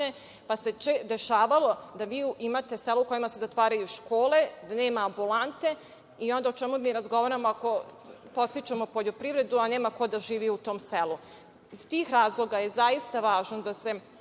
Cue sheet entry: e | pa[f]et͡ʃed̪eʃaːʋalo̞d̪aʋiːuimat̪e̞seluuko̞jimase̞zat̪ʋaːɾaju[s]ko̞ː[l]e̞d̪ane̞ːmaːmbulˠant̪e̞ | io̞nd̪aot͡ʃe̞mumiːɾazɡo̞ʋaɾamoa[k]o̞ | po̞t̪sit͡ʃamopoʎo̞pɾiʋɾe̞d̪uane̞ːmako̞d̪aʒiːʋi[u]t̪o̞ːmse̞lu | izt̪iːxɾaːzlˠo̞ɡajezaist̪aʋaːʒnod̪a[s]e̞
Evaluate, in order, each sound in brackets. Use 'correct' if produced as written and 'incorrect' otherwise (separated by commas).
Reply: incorrect, incorrect, correct, correct, correct, correct